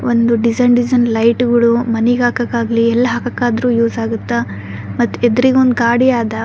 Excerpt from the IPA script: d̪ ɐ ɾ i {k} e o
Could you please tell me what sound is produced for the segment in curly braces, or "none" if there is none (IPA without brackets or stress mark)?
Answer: ɡ